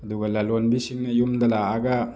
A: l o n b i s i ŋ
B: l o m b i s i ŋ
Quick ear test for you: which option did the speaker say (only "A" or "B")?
A